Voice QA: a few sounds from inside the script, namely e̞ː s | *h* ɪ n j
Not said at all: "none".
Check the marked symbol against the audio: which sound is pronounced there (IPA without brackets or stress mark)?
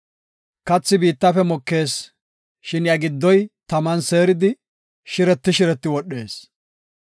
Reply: ʃ